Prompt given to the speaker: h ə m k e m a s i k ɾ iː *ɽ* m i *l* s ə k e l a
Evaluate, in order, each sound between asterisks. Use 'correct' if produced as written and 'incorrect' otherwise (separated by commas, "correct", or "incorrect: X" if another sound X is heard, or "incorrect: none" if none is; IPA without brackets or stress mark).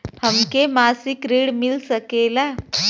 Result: correct, correct